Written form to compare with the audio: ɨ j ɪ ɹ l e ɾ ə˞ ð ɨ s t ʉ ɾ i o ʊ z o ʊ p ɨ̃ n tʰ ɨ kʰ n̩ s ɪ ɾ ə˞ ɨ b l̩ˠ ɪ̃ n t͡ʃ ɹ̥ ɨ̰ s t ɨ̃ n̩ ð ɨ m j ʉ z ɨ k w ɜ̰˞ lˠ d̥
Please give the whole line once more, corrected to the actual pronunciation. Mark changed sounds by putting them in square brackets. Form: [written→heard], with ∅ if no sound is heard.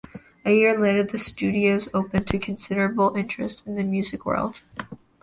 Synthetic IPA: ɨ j ɪ ɹ l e ɾ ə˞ ð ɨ s t ʉ ɾ i o ʊ z o ʊ p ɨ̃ n tʰ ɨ kʰ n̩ s ɪ ɾ ə˞ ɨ b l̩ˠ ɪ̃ n t͡ʃ ɹ̥ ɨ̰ s t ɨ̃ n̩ ð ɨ m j ʉ z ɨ k w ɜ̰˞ lˠ d̥